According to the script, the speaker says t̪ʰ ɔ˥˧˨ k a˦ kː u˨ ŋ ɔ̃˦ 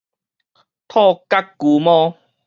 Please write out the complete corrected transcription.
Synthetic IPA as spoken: t̪ʰ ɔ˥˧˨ k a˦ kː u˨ m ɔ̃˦